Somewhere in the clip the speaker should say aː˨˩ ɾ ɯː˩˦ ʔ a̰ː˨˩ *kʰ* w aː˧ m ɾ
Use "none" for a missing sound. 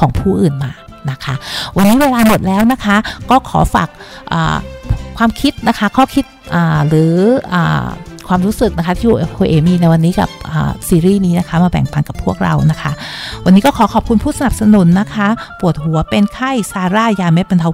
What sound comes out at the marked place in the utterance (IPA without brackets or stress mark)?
kʰ